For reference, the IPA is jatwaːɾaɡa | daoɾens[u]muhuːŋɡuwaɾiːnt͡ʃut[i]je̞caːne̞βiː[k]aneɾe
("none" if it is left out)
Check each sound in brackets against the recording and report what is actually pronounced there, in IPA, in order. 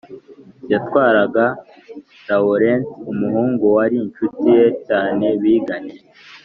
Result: u, i, ɡ

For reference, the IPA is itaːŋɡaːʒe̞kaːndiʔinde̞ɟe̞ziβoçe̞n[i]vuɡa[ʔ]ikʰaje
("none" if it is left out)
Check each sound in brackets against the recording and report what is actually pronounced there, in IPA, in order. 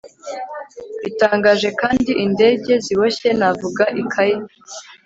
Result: a, ʔ

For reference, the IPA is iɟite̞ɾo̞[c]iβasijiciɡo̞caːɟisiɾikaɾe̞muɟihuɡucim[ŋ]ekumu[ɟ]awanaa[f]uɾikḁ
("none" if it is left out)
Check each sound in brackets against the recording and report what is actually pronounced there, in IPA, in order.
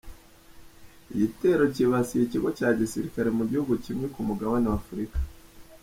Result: c, ŋ, ɡ, f

